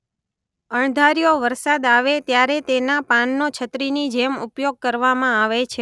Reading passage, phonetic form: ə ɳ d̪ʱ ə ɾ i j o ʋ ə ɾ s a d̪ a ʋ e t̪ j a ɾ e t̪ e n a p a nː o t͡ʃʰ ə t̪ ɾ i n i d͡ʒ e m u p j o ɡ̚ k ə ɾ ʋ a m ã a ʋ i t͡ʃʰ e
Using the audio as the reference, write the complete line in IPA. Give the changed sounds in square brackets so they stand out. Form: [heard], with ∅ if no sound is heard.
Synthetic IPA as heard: ə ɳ d̪ʱ [a] ɾ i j o ʋ ə ɾ s a d̪ a ʋ e t̪ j a ɾ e t̪ e n a p a nː o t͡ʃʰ ə t̪ ɾ i n i d͡ʒ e m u p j o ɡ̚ k ə ɾ ʋ a m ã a ʋ [e] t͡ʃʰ e